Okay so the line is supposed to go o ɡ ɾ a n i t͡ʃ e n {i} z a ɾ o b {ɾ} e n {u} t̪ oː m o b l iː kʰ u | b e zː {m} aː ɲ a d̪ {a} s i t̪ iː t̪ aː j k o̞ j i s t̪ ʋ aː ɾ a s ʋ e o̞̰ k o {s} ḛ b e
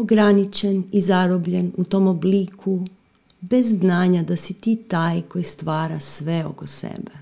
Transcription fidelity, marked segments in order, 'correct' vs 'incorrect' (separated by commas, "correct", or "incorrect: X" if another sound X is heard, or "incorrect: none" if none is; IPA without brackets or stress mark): correct, incorrect: ʎ, correct, incorrect: n, correct, correct